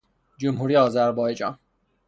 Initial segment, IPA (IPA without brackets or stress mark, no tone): d͡ʒ